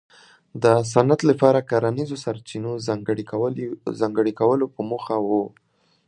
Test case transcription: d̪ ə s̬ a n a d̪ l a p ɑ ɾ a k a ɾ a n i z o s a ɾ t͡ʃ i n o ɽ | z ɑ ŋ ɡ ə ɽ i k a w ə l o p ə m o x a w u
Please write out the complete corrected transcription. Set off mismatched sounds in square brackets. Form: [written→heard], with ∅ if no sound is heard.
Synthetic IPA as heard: d̪ ə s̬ a n a [d̪→t̪] l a p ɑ ɾ a k a ɾ a n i z o s a ɾ t͡ʃ i n o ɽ | z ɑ ŋ ɡ ə ɽ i k a w ə l o p ə m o x a w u